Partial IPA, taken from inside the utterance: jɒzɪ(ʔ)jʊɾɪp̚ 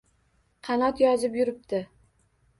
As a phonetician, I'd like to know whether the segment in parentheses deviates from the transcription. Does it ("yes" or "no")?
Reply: yes